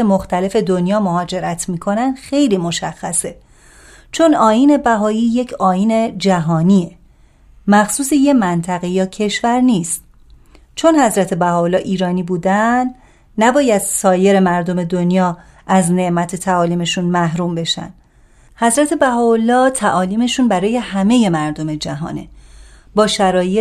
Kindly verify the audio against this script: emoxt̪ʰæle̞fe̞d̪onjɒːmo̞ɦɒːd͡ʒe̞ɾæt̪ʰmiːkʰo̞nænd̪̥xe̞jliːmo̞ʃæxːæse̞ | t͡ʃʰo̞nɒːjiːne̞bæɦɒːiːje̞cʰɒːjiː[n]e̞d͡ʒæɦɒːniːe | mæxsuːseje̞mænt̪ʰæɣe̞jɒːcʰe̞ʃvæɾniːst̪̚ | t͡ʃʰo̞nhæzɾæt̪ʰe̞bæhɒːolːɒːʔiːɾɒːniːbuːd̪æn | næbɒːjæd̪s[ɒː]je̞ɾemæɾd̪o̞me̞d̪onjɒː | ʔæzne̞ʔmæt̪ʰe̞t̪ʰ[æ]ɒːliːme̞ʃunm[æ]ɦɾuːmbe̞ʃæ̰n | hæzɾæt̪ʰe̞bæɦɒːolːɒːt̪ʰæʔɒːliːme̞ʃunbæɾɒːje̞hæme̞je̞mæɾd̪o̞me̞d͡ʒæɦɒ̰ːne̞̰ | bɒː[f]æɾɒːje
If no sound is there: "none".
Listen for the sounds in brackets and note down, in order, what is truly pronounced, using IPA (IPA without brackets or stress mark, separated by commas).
n, ɒː, æ, æ, ʃ